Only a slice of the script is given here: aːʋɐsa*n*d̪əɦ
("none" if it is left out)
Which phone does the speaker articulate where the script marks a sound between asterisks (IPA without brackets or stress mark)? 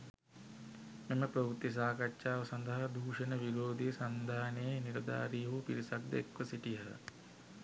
n